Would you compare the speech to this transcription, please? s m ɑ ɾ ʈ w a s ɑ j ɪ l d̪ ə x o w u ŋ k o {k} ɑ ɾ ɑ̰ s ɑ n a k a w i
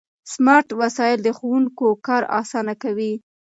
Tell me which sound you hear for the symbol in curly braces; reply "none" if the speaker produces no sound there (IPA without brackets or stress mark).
k